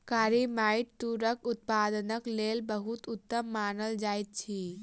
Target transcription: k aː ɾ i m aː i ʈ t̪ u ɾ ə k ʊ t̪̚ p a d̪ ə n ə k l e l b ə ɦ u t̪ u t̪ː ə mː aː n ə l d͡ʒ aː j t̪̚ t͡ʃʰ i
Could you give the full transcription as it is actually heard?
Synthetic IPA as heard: k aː ɾ i m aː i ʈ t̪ u ɾ ə k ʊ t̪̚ p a d̪ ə n ə k l e l b ə ɦ u t̪ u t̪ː ə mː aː n ə l d͡ʒ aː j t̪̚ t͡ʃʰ i